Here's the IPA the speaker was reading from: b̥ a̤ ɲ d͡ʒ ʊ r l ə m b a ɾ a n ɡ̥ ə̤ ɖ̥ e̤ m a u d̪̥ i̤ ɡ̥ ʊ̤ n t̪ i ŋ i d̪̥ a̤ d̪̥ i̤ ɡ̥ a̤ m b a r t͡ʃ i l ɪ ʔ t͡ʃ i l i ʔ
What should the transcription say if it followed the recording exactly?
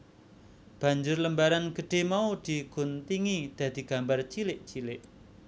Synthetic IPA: b̥ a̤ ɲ d͡ʒ ʊ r l ə m b a ɾ a n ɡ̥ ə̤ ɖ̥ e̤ m a u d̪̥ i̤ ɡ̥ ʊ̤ n t̪ i ŋ i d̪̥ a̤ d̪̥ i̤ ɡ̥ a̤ m b a r t͡ʃ i l ɪ ʔ t͡ʃ i l ɪ ʔ